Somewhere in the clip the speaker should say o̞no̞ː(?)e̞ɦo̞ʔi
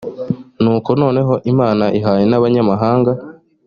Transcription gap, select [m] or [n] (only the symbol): n